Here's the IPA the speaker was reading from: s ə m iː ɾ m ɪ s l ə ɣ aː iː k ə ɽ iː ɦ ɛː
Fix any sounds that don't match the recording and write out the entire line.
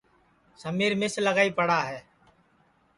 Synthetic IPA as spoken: s ə m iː ɾ m ɪ s l ə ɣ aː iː p ə ɽ aː ɦ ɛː

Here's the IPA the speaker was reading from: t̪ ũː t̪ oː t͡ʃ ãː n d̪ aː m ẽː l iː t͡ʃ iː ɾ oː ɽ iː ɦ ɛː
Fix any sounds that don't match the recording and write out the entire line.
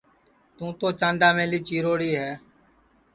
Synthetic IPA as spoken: t̪ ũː t̪ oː t͡ʃ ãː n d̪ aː m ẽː l iː t͡ʃ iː ɾ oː ɽ iː ɦ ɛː

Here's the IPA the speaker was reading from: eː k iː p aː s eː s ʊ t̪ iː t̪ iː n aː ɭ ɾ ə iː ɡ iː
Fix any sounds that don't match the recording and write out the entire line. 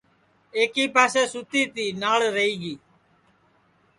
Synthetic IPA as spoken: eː k iː p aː s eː s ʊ t̪ iː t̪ iː n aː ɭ ɾ ə iː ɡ iː

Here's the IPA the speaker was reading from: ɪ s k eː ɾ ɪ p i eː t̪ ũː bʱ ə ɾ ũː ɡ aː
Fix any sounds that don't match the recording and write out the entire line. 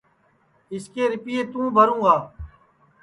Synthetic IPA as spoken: ɪ s k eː ɾ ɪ p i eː t̪ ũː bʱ ə ɾ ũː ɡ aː

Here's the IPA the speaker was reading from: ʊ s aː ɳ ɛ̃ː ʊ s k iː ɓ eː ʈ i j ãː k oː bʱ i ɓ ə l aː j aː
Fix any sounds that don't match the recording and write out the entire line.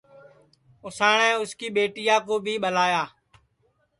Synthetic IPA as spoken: ʊ s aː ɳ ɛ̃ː ʊ s k iː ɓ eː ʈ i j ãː k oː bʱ iː ɓ ə l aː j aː

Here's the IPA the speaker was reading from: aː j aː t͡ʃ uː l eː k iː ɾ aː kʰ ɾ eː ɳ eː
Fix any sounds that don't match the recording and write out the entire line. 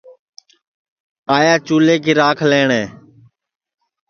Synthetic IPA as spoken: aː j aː t͡ʃ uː l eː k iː ɾ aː kʰ l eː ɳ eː

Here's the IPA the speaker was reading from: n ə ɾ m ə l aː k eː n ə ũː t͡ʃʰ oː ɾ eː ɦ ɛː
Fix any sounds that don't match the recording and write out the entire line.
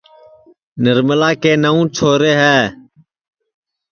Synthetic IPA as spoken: n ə ɾ m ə l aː k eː n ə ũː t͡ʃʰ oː ɾ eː ɦ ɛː

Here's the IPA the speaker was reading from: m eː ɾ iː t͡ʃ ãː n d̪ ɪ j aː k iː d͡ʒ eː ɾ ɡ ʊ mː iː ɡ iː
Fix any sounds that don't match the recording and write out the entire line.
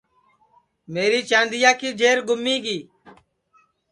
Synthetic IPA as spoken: m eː ɾ iː t͡ʃ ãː n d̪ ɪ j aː k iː d͡ʒ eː ɾ ɡ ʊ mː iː ɡ iː

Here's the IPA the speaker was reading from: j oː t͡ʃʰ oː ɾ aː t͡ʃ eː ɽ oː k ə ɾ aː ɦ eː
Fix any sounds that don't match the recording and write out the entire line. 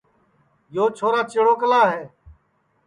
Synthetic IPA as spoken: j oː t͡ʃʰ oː ɾ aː t͡ʃ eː ɽ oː k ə l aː ɦ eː

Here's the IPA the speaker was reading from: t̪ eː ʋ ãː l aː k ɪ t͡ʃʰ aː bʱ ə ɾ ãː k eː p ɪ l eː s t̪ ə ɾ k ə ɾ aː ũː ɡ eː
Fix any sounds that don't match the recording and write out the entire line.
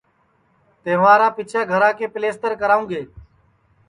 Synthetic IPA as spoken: t̪ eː ʋ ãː ɾ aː p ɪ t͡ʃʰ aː ɡʱ ə ɾ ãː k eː p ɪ l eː s t̪ ə ɾ k ə ɾ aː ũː ɡ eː

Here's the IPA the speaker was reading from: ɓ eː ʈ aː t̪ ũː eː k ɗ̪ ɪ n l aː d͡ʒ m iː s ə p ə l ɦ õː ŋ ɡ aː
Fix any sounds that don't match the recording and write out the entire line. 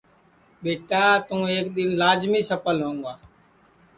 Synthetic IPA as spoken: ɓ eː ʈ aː t̪ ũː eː k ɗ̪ ɪ n l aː d͡ʒ m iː s ə p ə l ɦ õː ŋ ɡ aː

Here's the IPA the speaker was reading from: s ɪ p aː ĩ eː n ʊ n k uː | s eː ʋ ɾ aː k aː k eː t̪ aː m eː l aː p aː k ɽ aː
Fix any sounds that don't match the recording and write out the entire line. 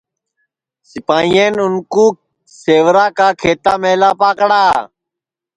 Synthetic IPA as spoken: s ɪ p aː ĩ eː n ʊ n k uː | s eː ʋ ɾ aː k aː kʰ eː t̪ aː m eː l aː p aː k ɽ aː

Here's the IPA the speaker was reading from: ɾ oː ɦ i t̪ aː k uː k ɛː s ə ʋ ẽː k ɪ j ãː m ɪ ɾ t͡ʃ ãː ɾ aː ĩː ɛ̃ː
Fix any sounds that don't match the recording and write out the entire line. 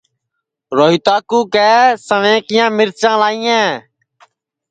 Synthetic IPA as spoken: ɾ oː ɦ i t̪ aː k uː k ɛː s ə ʋ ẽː k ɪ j ãː m ɪ ɾ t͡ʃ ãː l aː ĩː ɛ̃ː

